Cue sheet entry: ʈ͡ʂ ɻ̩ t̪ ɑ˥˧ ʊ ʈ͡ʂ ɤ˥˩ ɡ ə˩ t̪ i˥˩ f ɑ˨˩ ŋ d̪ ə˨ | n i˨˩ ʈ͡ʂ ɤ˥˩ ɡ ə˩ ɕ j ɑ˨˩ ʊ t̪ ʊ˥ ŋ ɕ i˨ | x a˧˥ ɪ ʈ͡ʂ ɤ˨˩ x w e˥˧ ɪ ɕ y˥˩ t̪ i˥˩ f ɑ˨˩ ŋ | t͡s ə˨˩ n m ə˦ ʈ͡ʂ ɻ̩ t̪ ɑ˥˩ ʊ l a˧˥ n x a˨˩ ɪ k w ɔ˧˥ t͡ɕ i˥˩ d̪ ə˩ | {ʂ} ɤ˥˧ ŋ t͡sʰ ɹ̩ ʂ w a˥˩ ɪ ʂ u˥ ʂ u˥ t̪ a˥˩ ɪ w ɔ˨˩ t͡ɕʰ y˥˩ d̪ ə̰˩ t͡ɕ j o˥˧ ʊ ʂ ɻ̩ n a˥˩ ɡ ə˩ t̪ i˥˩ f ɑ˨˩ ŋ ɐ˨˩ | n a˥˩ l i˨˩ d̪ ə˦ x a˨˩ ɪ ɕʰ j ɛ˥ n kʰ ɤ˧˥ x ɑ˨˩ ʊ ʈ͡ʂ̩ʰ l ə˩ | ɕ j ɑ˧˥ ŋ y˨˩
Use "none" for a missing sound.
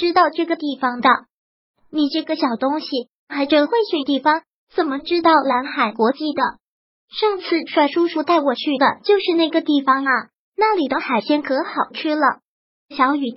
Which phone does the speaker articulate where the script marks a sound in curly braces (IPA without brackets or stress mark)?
ʂ